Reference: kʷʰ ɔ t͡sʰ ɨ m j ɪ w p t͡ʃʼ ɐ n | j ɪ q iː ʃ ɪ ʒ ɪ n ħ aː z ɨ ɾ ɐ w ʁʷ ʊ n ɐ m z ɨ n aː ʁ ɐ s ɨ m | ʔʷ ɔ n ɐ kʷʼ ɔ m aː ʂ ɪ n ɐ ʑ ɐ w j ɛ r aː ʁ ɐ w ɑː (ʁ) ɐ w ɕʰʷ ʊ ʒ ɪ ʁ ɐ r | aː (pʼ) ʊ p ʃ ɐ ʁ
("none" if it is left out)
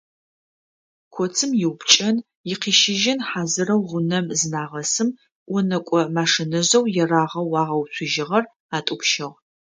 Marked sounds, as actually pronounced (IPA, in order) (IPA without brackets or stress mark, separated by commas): ʁ, tʼ